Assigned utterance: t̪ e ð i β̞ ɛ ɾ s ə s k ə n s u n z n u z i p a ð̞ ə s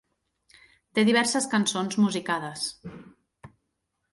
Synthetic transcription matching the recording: t̪ e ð i β̞ ɛ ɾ s ə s k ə n s o n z m u z i k a ð̞ ə s